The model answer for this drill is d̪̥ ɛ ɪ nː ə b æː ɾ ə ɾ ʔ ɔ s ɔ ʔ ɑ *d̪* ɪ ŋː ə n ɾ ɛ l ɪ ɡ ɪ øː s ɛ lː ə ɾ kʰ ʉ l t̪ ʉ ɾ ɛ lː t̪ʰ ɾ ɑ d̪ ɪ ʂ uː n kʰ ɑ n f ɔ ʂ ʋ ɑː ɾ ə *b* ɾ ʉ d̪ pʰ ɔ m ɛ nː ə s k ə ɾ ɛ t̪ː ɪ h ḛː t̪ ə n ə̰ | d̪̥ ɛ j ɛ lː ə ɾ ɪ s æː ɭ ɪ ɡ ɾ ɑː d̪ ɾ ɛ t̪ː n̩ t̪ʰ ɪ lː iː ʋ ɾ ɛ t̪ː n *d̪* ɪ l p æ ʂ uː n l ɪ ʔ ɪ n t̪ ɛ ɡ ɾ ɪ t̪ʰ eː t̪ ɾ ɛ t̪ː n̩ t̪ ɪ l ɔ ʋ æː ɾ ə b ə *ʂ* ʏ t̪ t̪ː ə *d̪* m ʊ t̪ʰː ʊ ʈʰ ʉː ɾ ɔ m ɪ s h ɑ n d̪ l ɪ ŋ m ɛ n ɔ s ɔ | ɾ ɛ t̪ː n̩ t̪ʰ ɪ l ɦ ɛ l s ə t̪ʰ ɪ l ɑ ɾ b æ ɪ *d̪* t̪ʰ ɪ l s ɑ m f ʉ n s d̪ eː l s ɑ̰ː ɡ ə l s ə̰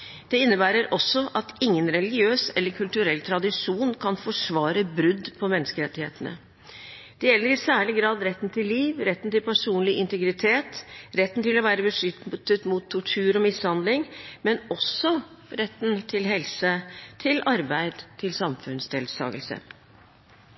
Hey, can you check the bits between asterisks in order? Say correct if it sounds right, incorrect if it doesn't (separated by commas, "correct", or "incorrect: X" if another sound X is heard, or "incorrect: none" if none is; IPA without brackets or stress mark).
incorrect: t̪, correct, incorrect: t̪, correct, incorrect: t̪, correct